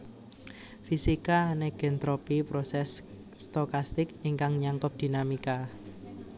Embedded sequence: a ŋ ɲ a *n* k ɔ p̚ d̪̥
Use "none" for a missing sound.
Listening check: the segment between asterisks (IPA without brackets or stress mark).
ŋ